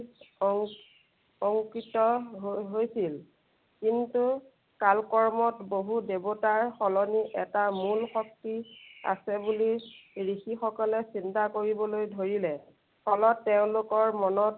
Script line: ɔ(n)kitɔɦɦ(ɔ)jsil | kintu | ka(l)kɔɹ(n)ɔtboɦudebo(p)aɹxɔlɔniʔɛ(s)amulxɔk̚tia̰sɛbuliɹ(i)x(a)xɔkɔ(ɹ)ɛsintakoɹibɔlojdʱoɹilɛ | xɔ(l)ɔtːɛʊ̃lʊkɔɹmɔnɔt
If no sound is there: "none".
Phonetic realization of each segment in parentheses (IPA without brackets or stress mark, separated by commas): ŋ, o, l, m, t, t, i, i, l, l